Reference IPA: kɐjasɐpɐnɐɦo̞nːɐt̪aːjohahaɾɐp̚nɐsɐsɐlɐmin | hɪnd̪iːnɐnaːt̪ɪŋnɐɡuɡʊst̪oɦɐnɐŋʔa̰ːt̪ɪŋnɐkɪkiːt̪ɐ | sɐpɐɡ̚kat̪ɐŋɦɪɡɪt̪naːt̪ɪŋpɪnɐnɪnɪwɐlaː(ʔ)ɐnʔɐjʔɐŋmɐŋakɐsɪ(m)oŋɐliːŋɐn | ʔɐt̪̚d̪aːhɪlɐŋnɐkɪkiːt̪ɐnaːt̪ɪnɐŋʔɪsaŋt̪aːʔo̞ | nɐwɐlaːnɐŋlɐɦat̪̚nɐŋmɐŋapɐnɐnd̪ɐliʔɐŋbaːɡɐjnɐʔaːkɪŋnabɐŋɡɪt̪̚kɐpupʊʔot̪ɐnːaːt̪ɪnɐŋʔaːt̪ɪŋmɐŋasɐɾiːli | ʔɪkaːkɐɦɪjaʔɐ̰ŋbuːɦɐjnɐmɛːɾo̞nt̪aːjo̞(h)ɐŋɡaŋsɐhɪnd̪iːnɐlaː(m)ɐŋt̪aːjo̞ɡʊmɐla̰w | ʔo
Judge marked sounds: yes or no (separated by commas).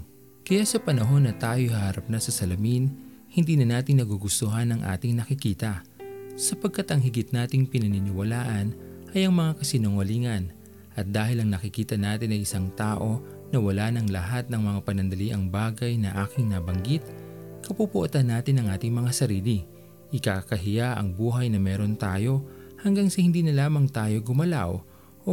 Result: yes, no, yes, yes